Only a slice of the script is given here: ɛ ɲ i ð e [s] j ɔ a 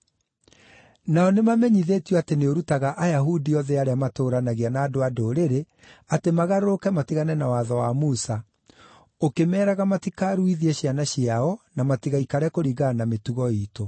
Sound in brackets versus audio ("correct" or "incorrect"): incorrect